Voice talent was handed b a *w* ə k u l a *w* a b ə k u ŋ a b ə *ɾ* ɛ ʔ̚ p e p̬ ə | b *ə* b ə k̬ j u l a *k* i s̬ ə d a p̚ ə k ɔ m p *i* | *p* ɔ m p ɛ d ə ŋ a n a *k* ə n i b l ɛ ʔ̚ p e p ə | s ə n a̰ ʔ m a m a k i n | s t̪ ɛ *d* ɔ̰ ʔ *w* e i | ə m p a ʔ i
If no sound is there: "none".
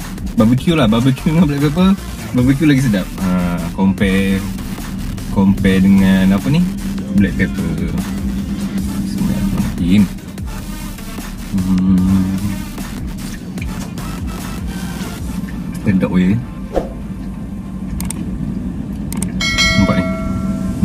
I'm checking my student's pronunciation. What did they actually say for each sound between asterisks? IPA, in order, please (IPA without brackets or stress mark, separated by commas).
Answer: b, b, l, a, ɡ, ɛ, k, p, d, w